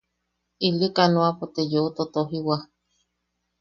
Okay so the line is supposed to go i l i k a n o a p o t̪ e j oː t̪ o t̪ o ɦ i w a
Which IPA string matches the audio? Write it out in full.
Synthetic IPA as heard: i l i k a n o a p o t̪ e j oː t̪ o t̪ o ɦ i w a

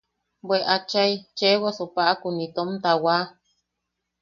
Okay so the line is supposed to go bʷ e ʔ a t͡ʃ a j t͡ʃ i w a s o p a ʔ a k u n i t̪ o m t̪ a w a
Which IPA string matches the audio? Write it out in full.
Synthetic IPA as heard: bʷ e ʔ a t͡ʃ a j t͡ʃ e w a s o p a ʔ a k u n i t̪ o m t̪ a w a

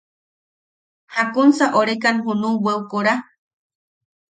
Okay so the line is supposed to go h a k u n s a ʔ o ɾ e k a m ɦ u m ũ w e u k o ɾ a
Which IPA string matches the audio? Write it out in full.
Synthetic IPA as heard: h a k u n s a ʔ o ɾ e k a n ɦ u n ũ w e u k o ɾ a

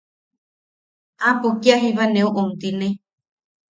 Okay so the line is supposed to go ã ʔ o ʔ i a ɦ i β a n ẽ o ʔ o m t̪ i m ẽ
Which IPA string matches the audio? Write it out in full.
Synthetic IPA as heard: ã p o k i a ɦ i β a n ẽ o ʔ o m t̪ i n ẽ

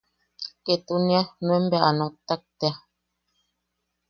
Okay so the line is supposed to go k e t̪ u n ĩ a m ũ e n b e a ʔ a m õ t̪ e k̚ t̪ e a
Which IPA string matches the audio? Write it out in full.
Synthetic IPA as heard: k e t̪ u n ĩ a n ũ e m b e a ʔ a n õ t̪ a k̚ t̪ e a

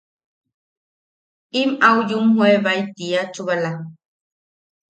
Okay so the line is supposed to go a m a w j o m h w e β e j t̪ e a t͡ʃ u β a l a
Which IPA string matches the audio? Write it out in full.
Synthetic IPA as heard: i m a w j u m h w e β a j t̪ i a t͡ʃ u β a l a

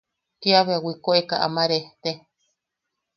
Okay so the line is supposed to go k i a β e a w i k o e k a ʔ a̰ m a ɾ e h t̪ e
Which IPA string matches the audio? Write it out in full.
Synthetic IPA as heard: k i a β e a w i k o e k a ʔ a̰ m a ɾ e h t̪ e

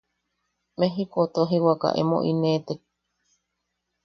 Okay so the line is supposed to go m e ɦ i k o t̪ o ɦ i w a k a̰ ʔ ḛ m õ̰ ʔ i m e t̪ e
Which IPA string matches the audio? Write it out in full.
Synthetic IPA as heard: m e ɦ i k o t̪ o ɦ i w a k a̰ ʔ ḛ m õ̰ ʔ i n e t̪ e

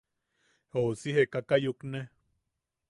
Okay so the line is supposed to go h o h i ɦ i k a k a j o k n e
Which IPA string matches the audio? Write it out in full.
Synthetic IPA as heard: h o s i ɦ e k a k a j u k n e

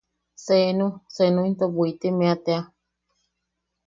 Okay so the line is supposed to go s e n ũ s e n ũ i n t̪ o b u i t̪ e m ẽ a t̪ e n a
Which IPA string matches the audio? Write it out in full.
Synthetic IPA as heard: s e n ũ s e n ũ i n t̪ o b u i t̪ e m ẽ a t̪ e a

